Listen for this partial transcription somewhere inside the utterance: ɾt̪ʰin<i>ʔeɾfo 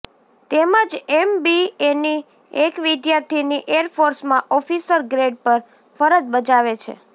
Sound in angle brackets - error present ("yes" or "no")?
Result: no